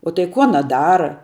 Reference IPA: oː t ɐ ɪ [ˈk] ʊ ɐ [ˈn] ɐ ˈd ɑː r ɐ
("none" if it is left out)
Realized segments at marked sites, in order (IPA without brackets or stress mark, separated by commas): k, n